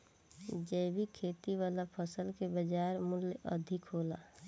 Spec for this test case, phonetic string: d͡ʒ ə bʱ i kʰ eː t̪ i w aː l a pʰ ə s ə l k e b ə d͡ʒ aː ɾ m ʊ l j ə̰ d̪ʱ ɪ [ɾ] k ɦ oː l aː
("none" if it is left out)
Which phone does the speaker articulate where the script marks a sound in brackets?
none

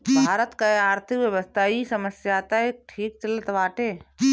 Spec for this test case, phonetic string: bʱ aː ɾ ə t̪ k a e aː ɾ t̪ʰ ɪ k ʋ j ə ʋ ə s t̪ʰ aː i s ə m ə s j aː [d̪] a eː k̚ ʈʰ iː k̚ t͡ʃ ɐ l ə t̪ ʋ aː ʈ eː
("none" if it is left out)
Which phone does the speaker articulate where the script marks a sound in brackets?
t̪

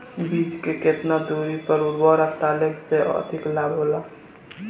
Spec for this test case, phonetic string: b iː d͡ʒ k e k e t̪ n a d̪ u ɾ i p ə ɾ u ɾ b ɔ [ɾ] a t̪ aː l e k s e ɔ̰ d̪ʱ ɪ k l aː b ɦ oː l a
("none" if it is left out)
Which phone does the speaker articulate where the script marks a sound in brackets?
ɾ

